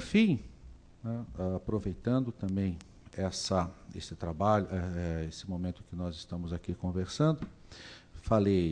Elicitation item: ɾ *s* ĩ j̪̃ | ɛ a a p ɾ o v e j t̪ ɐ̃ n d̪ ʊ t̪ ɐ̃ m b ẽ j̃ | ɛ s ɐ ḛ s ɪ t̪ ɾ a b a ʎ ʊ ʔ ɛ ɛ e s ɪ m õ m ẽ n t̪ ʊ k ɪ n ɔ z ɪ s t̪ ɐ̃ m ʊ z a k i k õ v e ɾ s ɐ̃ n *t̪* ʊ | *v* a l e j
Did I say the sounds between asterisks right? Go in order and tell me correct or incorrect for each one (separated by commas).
incorrect, incorrect, incorrect